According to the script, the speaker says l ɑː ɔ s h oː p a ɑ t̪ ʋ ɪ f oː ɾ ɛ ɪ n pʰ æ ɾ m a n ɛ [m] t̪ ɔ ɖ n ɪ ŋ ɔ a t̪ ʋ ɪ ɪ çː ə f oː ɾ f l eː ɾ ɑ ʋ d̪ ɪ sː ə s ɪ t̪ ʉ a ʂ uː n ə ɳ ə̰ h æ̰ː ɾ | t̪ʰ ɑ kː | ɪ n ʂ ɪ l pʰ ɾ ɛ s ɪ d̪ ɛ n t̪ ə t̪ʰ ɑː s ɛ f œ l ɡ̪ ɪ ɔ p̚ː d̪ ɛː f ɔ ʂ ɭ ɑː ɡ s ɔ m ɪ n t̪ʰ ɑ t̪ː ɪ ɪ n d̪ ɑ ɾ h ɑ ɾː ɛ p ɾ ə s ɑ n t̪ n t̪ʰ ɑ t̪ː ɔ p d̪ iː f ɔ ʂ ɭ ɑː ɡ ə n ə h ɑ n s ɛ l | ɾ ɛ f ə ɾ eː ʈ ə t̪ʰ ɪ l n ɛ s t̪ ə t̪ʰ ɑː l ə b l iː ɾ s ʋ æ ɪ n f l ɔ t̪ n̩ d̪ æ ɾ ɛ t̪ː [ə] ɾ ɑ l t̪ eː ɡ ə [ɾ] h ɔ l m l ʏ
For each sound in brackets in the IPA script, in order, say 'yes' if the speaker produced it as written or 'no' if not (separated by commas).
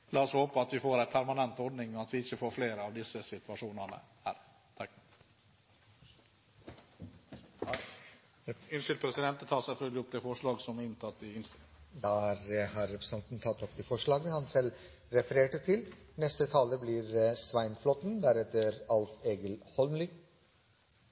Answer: no, yes, no